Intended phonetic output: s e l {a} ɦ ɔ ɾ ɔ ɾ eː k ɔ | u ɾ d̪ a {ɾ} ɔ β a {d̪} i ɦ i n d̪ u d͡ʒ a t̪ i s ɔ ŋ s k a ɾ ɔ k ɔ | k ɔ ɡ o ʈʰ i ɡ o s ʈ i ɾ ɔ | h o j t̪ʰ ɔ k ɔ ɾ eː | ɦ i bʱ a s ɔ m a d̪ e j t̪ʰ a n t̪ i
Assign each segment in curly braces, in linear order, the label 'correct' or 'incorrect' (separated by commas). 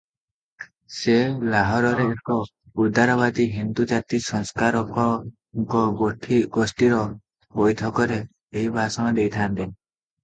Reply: correct, correct, correct